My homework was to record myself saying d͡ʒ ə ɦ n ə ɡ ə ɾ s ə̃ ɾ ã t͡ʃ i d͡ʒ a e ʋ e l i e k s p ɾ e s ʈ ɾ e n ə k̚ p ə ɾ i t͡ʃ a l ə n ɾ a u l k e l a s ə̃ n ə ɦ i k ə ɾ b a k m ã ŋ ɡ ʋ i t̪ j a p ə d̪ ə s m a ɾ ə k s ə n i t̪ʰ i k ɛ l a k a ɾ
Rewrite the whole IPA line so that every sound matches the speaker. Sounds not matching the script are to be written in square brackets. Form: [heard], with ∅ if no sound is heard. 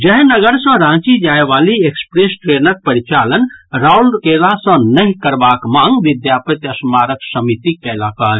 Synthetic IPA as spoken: d͡ʒ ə ɦ n ə ɡ ə ɾ s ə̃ ɾ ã t͡ʃ i d͡ʒ a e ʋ [a] l i e k s p ɾ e s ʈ ɾ e n ə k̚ p ə ɾ i t͡ʃ a l ə n ɾ a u l k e l a s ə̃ n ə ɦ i k ə ɾ b a k m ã ŋ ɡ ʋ i [d̪] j a p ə [t̪] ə s m a ɾ ə k s ə [m] i [t̪] i k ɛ l a k a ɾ